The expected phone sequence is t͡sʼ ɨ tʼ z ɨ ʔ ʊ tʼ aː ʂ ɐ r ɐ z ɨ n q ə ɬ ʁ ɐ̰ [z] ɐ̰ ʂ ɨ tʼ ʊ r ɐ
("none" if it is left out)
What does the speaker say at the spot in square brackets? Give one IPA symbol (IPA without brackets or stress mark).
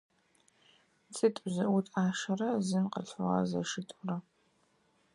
z